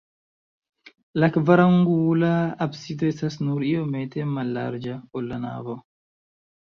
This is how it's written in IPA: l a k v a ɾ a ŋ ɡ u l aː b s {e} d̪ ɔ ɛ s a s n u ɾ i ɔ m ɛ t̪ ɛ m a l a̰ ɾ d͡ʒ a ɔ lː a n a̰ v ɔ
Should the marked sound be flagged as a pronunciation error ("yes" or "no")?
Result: yes